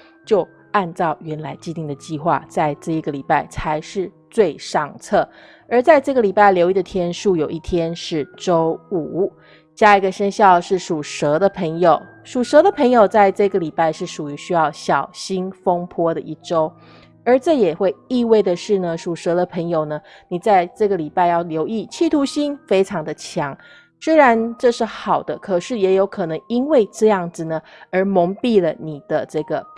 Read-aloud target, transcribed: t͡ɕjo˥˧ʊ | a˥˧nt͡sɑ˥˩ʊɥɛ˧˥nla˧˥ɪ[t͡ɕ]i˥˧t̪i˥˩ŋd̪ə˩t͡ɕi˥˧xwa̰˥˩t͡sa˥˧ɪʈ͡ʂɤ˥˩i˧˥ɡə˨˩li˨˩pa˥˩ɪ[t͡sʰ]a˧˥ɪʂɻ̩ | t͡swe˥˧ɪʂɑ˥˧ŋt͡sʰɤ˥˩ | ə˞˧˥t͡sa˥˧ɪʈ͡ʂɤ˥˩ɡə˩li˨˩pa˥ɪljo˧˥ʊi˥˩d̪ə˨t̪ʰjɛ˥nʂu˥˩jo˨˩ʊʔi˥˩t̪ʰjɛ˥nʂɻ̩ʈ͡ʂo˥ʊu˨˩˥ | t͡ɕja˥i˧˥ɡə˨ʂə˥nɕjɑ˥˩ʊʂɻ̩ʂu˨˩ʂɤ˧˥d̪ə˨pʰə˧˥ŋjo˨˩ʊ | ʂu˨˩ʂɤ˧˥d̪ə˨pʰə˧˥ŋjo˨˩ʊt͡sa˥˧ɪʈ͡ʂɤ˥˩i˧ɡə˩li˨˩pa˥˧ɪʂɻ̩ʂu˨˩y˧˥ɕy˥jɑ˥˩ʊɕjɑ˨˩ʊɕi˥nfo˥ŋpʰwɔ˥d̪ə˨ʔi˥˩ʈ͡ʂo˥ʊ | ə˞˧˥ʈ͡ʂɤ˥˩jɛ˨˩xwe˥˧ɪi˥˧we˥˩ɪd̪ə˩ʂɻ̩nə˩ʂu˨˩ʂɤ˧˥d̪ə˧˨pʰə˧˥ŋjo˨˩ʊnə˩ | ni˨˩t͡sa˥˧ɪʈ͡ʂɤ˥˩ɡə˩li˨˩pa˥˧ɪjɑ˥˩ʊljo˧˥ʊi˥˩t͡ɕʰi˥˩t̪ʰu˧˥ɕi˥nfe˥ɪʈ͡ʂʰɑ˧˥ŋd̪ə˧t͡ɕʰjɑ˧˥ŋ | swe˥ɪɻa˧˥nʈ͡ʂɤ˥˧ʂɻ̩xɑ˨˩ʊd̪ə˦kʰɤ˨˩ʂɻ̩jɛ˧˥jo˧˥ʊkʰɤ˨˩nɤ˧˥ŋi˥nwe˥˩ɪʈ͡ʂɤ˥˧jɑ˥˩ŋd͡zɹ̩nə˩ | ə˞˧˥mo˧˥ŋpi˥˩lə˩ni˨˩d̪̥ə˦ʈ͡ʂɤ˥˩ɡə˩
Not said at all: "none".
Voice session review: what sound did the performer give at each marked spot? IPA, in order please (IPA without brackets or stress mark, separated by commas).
t͡ɕ, t͡sʰ